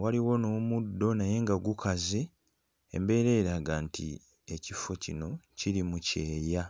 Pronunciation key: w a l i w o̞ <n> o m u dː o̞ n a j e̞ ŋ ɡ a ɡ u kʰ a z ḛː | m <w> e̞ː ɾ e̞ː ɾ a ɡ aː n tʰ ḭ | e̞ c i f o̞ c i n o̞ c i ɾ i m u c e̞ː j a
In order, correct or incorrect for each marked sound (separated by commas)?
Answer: correct, incorrect